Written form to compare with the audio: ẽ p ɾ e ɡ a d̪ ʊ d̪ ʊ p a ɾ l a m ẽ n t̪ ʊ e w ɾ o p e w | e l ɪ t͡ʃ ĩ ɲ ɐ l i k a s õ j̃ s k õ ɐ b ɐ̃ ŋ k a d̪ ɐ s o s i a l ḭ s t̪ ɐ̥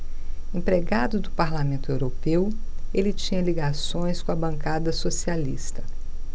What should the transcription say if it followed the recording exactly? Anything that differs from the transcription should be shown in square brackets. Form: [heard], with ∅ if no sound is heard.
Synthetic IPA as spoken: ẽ p ɾ e ɡ a d̪ ʊ d̪ ʊ p a ɾ l a m ẽ n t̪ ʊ e w ɾ o p e w | e l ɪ t͡ʃ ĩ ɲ ɐ l i [ɡ] a s õ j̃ s k õ ɐ b ɐ̃ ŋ k a d̪ ɐ s o s i a l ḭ s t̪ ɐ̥